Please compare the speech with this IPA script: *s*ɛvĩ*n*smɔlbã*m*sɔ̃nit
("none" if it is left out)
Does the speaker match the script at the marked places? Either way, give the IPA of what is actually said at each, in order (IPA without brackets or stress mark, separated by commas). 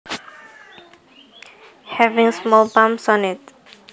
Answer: h, ŋ, m